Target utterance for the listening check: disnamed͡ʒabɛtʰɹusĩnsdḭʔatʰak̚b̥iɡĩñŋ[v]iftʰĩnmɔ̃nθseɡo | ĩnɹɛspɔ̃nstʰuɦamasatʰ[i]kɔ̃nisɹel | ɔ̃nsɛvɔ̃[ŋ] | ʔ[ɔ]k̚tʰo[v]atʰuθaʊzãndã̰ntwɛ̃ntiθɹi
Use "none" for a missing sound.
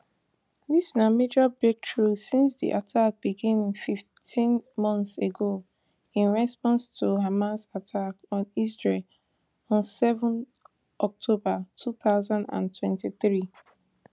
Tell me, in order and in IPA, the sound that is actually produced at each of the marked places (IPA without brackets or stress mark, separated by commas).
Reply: f, a, n, ɔ, b